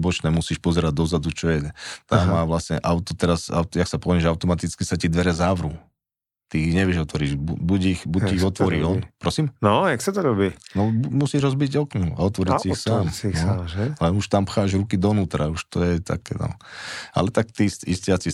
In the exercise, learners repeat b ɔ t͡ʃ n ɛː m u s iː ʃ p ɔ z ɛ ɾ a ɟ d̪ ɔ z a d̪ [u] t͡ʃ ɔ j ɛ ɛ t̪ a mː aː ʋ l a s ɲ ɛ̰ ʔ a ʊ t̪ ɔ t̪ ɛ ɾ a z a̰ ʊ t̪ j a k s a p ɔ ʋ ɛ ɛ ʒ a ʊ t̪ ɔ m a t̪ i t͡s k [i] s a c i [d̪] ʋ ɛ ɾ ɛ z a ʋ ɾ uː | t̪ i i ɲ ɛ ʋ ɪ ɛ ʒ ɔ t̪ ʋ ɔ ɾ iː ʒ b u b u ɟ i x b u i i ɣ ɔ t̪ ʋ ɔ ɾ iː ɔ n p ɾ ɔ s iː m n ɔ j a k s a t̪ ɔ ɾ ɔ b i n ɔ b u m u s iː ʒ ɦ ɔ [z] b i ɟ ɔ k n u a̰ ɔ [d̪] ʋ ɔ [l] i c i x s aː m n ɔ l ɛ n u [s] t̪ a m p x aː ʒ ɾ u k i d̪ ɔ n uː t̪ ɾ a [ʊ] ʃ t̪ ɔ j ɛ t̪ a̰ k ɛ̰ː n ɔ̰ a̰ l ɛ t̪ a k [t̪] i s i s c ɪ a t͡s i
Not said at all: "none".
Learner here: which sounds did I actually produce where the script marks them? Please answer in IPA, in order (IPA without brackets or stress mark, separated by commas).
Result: u, i, d̪, z, t̪, ɾ, ʃ, u, t̪